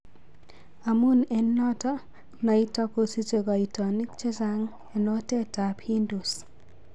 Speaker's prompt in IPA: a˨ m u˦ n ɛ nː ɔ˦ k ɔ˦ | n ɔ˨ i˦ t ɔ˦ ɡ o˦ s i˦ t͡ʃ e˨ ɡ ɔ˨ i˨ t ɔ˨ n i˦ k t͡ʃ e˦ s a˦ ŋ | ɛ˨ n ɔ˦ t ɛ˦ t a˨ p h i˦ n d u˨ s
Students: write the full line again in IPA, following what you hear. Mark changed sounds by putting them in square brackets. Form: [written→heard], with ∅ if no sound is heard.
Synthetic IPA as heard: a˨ m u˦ n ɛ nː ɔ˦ [k→t] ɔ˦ | n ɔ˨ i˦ t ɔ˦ [ɡ→k] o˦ s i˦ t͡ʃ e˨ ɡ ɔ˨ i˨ t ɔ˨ n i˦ k t͡ʃ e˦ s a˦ ŋ | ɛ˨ n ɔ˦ t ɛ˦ t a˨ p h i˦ n d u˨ s

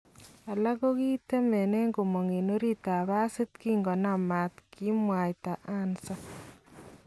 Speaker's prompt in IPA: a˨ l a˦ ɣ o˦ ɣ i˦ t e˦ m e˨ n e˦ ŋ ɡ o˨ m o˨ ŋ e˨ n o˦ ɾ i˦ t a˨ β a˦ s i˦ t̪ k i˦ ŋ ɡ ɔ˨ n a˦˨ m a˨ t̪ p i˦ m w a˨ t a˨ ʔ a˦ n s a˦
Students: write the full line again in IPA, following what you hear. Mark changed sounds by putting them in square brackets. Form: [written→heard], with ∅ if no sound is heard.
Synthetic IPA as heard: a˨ l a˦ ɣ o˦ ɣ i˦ t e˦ m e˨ n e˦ ŋ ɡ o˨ m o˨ ŋ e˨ n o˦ ɾ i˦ t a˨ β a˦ s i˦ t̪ k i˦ ŋ ɡ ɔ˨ n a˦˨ m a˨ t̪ [p→k] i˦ m w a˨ t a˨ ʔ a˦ n s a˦

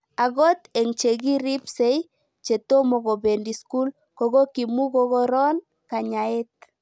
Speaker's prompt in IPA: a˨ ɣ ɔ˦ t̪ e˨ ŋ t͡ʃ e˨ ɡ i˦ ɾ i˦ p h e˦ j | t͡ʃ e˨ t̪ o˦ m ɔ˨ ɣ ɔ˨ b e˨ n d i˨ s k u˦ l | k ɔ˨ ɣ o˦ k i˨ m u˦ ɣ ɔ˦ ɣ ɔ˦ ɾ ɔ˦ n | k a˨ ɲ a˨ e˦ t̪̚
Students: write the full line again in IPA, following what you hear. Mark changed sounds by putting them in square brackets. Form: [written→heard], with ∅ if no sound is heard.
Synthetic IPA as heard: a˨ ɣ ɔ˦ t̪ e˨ ŋ t͡ʃ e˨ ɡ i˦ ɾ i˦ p [h→s] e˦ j | t͡ʃ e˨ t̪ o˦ m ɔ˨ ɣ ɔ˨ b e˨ n d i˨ s k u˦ l | k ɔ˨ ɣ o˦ k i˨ m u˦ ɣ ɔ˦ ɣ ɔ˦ ɾ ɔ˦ n | k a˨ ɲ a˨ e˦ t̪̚

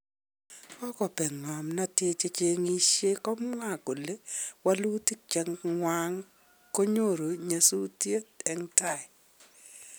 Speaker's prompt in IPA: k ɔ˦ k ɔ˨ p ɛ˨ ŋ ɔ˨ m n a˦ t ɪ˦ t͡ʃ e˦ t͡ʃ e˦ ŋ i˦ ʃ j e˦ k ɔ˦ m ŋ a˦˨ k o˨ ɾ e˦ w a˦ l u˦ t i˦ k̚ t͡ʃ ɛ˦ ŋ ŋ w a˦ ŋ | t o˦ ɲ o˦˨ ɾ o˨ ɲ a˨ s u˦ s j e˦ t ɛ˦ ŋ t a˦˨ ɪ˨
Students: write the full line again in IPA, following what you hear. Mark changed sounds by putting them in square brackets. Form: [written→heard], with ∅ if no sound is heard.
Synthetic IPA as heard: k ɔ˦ k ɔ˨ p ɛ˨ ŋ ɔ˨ m n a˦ t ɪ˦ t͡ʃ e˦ t͡ʃ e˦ ŋ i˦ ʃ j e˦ k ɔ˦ m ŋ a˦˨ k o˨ [ɾ→l] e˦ w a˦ l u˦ t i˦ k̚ t͡ʃ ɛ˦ ŋ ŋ w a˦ ŋ | [t→k] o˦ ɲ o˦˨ ɾ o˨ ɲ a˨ s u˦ [s→t] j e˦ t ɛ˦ ŋ t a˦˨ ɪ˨

